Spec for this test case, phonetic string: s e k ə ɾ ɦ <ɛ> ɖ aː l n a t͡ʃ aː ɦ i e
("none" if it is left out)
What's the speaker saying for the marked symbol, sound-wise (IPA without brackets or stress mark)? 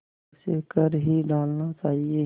i